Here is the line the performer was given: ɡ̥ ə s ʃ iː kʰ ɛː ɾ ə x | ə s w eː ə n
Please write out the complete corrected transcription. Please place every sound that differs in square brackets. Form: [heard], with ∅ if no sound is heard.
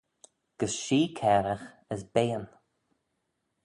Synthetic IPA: ɡ̥ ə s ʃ iː kʰ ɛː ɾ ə x | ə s [b] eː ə n